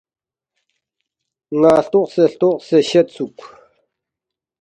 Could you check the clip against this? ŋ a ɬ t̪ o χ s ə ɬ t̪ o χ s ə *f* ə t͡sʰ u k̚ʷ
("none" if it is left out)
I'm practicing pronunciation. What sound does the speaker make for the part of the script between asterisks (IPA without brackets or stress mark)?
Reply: ɕ